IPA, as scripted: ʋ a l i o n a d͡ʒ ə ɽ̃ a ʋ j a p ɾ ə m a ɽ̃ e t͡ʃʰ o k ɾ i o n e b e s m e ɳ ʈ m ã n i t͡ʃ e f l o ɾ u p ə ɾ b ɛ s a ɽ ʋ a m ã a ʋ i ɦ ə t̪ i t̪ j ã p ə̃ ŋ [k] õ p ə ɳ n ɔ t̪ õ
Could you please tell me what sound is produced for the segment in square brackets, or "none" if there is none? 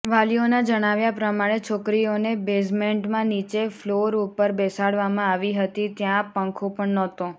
kʰ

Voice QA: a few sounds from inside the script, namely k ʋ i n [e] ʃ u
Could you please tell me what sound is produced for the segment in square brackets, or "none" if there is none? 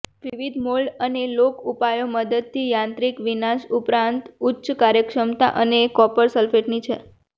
a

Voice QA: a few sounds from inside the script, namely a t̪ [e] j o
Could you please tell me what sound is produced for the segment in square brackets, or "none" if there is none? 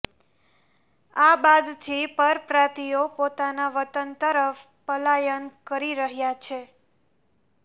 i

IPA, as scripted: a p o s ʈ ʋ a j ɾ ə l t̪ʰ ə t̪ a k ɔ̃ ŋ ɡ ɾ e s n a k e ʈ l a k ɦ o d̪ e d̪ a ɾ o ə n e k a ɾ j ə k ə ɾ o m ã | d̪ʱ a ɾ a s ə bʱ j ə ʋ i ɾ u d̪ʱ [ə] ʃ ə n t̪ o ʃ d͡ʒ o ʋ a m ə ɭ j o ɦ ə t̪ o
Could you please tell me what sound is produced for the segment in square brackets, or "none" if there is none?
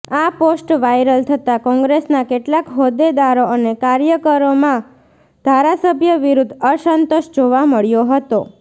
ə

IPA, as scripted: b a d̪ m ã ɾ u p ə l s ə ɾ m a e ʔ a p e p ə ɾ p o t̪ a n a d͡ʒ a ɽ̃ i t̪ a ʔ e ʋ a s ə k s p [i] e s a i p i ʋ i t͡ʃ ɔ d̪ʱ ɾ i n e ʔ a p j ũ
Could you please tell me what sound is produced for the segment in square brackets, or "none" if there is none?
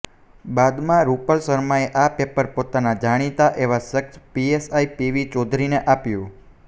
i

